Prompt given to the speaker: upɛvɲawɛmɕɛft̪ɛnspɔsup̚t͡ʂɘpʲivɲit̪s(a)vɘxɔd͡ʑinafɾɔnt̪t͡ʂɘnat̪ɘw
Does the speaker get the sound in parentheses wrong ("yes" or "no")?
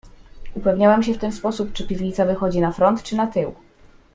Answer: no